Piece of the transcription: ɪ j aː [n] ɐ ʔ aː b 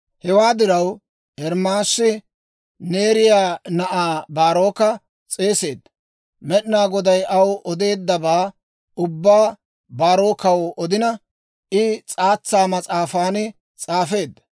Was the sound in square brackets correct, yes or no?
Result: yes